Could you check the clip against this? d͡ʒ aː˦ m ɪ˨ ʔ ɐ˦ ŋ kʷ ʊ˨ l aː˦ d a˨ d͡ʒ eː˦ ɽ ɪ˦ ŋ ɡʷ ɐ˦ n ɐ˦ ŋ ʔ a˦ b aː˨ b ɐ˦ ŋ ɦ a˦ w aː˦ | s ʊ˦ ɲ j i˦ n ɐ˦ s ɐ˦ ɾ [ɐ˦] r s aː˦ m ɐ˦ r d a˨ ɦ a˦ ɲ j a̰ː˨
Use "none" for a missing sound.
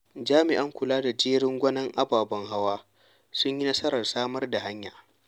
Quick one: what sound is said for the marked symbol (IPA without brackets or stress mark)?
ɐ˨